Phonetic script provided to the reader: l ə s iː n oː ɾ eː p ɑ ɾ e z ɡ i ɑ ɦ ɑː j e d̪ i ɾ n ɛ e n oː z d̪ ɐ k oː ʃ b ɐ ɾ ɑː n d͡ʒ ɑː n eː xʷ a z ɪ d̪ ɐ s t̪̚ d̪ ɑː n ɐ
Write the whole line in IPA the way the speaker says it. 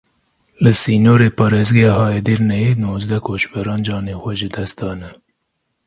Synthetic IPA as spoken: l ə s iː n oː ɾ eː p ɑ ɾ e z ɡ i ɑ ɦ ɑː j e d̪ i ɾ n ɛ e n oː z d̪ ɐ k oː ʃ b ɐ ɾ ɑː n d͡ʒ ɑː n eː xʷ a ʒ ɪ d̪ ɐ s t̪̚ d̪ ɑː n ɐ